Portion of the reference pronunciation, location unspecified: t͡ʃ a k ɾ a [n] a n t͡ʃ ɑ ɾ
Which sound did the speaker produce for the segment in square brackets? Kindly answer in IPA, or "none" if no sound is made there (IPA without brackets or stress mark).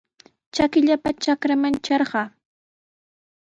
m